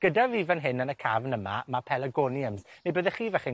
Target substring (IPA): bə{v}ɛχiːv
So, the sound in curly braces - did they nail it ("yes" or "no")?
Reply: no